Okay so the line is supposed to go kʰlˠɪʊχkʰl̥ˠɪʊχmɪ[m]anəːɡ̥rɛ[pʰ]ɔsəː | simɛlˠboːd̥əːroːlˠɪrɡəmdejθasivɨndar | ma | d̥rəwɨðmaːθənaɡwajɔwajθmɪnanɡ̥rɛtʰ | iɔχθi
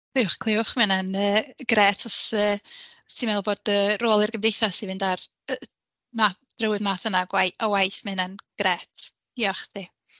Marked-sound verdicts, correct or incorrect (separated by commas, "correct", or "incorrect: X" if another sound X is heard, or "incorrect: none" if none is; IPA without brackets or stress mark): incorrect: n, incorrect: tʰ